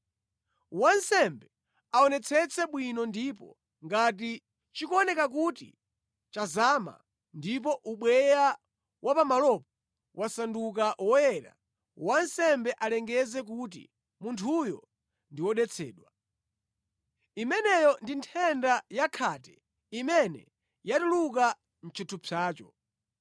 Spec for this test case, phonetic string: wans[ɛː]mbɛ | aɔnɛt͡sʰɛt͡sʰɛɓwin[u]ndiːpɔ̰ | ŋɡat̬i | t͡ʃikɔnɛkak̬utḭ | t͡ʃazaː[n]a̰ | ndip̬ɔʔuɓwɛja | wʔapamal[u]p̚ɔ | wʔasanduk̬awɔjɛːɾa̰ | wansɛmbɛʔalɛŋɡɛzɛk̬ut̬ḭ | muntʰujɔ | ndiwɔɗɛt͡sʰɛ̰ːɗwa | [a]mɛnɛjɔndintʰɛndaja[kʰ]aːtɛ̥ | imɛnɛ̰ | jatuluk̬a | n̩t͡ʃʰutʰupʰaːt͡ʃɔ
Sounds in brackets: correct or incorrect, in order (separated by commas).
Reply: incorrect, incorrect, incorrect, incorrect, incorrect, correct